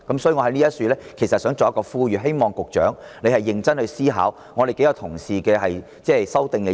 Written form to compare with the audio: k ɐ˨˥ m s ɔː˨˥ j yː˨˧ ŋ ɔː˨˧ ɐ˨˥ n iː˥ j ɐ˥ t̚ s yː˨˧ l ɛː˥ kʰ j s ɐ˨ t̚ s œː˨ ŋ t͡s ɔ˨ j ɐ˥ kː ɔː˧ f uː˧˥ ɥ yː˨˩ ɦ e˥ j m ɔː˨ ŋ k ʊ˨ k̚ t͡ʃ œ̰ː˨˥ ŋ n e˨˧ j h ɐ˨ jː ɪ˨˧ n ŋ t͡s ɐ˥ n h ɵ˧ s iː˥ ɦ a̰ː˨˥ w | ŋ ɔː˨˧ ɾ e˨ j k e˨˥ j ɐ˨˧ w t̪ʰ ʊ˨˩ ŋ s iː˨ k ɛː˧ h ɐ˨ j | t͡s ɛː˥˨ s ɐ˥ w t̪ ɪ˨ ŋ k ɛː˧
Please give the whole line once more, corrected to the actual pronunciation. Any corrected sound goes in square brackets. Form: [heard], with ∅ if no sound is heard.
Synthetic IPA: k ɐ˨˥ m s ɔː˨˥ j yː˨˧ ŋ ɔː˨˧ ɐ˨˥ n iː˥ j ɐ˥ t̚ s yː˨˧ l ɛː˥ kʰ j s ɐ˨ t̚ s [œː˨˥] ŋ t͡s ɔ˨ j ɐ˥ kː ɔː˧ f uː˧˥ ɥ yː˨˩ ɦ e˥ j m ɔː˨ ŋ k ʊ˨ k̚ t͡ʃ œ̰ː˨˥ ŋ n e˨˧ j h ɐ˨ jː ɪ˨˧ [∅] ŋ t͡s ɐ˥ n h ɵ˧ s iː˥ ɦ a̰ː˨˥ w | ŋ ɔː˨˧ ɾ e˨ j k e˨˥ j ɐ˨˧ w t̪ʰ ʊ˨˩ ŋ s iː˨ k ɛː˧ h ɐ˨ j | t͡s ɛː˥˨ s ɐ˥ w t̪ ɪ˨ ŋ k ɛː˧